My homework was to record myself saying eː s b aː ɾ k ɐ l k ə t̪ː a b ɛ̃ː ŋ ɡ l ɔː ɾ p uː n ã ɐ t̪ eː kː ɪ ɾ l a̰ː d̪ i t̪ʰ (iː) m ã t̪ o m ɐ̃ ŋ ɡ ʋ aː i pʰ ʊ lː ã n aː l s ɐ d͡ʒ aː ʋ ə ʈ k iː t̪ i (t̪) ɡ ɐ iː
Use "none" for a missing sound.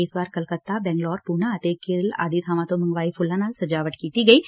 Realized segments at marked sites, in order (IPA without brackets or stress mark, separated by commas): aː, none